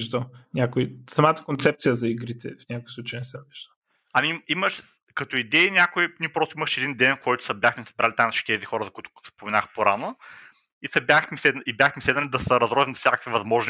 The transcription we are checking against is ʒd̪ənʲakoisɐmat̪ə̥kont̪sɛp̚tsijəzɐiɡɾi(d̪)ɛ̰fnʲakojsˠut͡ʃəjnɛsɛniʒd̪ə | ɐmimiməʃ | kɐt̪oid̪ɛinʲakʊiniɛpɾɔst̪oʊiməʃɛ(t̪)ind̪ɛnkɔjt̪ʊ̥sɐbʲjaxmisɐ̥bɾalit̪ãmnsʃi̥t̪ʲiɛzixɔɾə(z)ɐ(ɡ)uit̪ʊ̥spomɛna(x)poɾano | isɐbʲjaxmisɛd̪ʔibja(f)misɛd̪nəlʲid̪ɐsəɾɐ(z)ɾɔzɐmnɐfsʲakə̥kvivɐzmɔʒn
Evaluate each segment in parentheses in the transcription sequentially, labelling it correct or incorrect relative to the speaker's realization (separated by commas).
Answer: incorrect, incorrect, correct, incorrect, correct, incorrect, correct